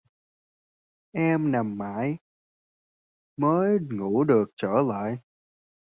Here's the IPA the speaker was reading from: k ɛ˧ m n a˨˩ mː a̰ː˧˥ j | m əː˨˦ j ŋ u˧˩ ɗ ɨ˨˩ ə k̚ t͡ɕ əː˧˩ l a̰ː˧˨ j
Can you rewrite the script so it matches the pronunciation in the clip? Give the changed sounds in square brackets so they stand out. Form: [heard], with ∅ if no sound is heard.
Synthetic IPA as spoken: [ʔ] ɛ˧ m n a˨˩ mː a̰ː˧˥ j | m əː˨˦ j ŋ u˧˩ ɗ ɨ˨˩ ə k̚ t͡ɕ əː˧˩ l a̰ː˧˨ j